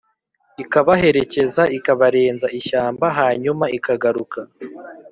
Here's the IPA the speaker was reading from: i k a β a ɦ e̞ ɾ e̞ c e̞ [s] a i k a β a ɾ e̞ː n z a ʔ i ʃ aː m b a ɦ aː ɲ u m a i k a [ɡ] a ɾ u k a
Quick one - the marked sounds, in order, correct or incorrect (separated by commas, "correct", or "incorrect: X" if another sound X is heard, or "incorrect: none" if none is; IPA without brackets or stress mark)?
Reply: incorrect: z, correct